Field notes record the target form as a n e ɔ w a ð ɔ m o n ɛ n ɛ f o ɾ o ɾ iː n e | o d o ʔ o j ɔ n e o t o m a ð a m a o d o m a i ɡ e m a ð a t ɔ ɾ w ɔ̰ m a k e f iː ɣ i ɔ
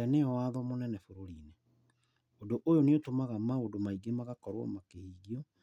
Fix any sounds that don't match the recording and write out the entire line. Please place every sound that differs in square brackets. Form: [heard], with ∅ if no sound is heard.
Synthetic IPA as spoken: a n e ɔ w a ð ɔ m o n ɛ n ɛ f o ɾ o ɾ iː n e | o d o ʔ o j [o] n e o t o m a [ɣ] a m a o d o m a i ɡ e m a [ɣ] a [k] ɔ ɾ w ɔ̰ m a k e [h] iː ɣ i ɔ